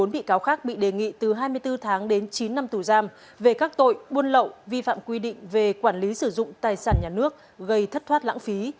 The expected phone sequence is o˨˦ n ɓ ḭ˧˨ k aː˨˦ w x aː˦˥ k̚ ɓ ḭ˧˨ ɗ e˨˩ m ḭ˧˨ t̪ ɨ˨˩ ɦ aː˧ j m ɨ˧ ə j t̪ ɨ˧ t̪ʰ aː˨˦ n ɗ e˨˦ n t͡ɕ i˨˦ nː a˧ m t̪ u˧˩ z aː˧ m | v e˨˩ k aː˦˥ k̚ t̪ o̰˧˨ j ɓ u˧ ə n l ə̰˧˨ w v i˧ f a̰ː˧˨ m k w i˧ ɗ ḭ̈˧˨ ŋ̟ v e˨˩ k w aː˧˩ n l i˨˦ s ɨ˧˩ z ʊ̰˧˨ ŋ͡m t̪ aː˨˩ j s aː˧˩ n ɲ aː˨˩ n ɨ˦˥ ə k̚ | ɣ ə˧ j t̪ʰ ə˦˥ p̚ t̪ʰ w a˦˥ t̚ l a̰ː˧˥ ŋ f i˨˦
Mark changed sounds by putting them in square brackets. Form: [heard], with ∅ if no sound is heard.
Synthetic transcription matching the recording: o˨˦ n ɓ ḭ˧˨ k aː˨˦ w x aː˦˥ k̚ ɓ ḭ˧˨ ɗ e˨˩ [ŋ] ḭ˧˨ t̪ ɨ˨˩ ɦ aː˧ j m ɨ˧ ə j t̪ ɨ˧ t̪ʰ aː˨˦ [ŋ] ɗ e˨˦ n t͡ɕ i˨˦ nː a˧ m t̪ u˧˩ z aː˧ m | v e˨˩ k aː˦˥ k̚ t̪ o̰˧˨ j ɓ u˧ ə n l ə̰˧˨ w v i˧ f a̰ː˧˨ m k w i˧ ɗ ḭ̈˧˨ ŋ̟ v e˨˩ k w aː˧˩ n l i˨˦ s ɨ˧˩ z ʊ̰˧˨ ŋ͡m t̪ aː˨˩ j s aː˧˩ n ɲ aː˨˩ n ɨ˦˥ ə k̚ | ɣ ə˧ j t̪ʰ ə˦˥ [t̚] t̪ʰ w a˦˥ t̚ l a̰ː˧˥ ŋ f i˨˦

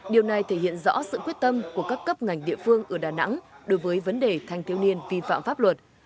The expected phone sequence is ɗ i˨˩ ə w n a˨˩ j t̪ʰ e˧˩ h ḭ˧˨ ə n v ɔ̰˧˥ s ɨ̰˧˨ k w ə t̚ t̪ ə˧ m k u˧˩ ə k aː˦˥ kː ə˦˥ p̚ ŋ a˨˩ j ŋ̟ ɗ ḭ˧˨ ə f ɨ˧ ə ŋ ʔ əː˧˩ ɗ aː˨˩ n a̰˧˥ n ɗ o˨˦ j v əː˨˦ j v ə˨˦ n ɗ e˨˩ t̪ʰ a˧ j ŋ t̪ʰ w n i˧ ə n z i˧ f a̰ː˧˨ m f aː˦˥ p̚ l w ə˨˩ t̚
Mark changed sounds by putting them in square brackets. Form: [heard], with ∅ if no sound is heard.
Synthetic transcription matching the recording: ɗ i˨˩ ə w n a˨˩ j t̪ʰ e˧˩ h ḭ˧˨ ə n [z] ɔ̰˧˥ s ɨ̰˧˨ k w ə t̚ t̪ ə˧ m k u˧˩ ə k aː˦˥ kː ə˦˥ p̚ ŋ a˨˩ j ŋ̟ ɗ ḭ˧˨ ə f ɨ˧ ə ŋ ʔ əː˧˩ ɗ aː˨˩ n a̰˧˥ [ŋ] ɗ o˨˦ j v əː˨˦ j v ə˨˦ n ɗ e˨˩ t̪ʰ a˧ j ŋ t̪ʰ w n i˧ ə n [v] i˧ f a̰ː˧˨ m f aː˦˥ p̚ l w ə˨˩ t̚

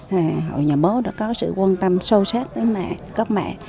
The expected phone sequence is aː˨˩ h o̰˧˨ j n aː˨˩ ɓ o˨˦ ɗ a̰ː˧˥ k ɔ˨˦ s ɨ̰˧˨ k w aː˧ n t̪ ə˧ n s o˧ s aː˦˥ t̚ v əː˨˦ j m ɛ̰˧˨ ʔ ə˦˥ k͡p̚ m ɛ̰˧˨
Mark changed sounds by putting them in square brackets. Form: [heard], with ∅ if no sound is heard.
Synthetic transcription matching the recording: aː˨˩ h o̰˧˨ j [ɲ] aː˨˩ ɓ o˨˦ ɗ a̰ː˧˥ k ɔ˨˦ s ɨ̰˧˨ k w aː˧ n t̪ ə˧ [m] s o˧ s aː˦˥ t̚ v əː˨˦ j m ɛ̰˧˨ [k] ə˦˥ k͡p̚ m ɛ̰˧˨

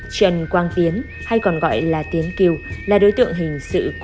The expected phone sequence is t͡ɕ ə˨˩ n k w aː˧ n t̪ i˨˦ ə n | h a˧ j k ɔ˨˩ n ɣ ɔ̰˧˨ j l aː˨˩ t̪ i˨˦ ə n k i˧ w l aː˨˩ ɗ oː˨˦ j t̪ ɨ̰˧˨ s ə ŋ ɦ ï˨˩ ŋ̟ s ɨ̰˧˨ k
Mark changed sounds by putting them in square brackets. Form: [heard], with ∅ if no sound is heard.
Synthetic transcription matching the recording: t͡ɕ ə˨˩ n k w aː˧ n t̪ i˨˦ ə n | h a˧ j k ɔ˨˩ n ɣ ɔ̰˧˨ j l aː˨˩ t̪ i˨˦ ə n k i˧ w l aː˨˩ ɗ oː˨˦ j t̪ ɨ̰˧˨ [∅] ə ŋ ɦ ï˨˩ ŋ̟ s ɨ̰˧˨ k

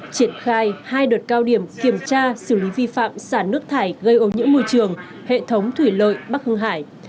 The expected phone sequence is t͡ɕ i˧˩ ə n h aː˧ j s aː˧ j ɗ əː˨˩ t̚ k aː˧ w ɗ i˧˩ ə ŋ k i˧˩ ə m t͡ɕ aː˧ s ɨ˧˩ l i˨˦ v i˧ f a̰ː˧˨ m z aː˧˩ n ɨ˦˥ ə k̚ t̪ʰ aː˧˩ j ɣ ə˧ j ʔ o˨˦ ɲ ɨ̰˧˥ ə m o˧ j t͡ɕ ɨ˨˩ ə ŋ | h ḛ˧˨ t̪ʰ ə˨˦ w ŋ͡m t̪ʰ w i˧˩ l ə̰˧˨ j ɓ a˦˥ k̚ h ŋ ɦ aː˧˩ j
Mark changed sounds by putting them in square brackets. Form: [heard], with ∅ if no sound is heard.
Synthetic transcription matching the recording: t͡ɕ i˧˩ ə n [x] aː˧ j [h] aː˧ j ɗ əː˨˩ t̚ k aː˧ w ɗ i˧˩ ə [m] k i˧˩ ə m t͡ɕ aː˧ s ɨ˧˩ l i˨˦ v i˧ f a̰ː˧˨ m [s] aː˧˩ n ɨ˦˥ ə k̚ t̪ʰ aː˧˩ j ɣ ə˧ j ʔ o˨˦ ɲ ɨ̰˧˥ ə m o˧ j t͡ɕ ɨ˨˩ ə ŋ | h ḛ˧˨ t̪ʰ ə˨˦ w ŋ͡m t̪ʰ w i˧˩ l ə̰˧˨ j ɓ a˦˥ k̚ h ŋ ɦ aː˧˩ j

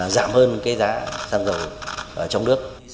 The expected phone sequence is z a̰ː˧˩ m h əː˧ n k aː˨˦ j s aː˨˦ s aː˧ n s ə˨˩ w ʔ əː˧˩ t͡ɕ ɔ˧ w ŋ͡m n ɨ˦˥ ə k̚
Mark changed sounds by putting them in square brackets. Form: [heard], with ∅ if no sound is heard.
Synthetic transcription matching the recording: z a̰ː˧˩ m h əː˧ n k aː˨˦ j [z] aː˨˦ s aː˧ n [z] ə˨˩ w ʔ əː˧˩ t͡ɕ ɔ˧ w ŋ͡m n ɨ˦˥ ə k̚

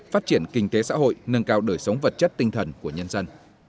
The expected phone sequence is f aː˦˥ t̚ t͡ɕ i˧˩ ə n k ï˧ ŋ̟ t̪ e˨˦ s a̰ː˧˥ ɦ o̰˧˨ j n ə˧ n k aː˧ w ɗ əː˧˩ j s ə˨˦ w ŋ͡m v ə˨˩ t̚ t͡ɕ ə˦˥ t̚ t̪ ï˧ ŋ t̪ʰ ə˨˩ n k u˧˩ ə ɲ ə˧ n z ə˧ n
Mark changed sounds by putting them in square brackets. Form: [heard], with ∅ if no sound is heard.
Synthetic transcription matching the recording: f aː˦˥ t̚ t͡ɕ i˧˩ ə n k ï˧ ŋ̟ t̪ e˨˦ s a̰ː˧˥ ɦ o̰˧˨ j n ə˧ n k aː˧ w ɗ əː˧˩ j s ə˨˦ w ŋ͡m v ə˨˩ t̚ t͡ɕ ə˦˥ t̚ t̪ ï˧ ŋ t̪ʰ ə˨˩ n k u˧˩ ə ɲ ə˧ n z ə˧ n

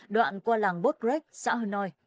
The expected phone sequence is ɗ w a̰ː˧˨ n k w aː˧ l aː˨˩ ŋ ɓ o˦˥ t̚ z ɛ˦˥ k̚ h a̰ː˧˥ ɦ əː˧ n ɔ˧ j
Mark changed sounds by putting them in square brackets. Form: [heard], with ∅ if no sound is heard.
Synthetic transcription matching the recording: ɗ w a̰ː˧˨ n k w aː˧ l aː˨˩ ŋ ɓ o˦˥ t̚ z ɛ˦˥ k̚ [s] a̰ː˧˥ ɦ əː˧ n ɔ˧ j

